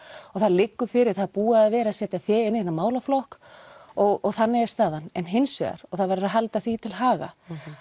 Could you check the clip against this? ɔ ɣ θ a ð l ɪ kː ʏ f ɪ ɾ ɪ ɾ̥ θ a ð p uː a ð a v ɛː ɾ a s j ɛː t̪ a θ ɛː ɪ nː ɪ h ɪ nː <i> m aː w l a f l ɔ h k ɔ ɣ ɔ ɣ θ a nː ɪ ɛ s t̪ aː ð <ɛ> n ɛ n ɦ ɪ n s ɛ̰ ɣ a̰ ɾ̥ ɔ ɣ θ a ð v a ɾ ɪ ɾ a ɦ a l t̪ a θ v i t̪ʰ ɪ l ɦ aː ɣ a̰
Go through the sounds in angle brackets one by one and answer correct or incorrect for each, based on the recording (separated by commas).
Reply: incorrect, incorrect